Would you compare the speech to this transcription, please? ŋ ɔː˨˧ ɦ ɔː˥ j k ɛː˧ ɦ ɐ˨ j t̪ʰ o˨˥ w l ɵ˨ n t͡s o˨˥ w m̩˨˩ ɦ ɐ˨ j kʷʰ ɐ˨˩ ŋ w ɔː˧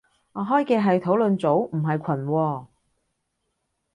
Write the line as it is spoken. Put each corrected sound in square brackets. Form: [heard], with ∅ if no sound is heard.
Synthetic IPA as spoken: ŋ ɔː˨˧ ɦ ɔː˥ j k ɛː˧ ɦ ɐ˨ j t̪ʰ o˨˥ w l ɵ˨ n t͡s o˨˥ w m̩˨˩ ɦ ɐ˨ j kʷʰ ɐ˨˩ [n] w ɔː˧